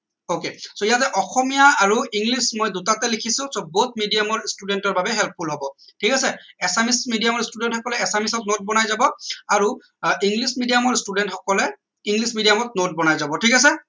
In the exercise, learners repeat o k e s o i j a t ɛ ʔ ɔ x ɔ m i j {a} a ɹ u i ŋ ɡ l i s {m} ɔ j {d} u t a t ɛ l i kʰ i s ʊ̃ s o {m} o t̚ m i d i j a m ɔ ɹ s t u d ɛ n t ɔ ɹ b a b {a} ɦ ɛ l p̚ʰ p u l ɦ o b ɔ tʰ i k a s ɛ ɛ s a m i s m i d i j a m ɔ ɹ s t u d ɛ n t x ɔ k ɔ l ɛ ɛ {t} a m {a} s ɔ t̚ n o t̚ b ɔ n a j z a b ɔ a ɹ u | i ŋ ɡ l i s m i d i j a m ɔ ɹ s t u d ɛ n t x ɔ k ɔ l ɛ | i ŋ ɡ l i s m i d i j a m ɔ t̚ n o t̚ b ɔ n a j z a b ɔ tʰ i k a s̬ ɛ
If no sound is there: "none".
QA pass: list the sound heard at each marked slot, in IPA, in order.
a, m, d, b, ɛ, s, i

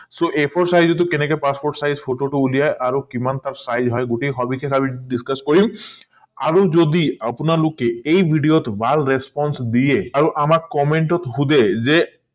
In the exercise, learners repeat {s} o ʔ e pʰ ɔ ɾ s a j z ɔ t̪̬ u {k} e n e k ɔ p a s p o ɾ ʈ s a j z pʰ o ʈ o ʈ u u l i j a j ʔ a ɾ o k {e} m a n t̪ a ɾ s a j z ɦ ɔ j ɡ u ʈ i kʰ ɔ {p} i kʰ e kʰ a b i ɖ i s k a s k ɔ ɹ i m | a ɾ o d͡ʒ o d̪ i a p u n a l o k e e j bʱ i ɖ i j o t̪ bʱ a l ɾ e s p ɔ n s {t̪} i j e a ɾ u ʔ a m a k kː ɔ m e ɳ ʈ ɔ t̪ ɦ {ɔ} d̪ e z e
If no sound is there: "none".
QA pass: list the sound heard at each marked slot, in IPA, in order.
s, k, i, b, d̪, u

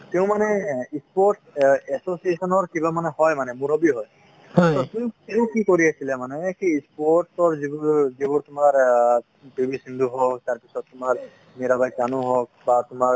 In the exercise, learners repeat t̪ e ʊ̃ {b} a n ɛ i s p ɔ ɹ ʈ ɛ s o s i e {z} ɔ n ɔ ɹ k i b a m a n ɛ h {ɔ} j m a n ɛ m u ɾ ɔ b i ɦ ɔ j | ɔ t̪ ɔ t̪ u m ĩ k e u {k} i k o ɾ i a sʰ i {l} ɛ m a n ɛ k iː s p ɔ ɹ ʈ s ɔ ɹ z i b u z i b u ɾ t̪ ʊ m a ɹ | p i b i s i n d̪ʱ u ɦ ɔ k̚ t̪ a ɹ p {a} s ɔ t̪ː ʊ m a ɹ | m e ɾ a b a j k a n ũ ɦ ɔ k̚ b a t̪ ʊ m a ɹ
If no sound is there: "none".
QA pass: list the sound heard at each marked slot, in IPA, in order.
m, s, ɔ, k, l, i

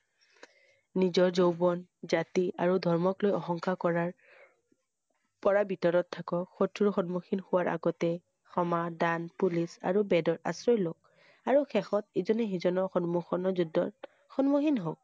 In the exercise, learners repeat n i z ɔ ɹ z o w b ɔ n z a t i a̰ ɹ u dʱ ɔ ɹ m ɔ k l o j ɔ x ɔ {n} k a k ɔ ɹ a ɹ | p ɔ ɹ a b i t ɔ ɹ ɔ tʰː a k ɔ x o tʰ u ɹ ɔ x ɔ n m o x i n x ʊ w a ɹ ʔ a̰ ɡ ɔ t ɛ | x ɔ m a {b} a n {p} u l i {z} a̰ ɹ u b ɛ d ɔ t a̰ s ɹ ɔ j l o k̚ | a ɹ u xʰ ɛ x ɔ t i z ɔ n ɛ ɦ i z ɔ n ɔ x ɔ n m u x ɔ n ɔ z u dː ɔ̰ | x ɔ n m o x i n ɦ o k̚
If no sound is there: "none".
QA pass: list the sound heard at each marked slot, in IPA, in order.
ŋ, d, p, s

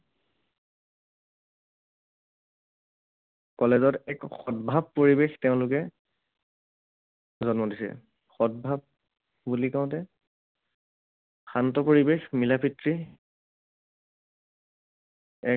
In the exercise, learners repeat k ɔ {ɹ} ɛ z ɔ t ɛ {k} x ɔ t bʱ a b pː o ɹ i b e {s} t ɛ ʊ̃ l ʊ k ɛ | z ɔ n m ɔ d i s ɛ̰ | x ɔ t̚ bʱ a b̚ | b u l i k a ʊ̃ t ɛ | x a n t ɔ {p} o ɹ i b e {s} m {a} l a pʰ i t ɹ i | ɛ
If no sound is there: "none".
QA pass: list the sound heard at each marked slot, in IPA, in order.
l, k, x, p, x, i

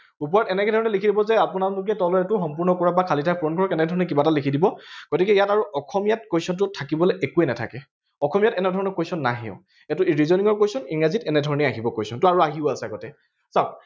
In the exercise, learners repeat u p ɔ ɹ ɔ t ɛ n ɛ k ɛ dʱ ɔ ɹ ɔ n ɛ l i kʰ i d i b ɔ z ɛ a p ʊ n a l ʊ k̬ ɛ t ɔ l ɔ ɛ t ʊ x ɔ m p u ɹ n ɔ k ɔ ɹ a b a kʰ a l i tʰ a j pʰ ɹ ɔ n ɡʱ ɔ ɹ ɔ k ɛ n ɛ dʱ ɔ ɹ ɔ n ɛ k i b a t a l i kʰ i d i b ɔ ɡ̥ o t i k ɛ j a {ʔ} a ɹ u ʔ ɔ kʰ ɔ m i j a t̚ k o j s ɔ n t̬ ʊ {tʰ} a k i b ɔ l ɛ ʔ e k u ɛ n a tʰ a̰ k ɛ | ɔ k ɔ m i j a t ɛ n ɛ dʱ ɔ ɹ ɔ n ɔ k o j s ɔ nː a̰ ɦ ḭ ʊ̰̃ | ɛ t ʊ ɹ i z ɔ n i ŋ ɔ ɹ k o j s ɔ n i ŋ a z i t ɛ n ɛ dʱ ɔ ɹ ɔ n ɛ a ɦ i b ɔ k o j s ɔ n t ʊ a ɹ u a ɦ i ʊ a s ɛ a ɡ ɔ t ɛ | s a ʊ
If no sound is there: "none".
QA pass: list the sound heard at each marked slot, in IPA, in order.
t, tʰ

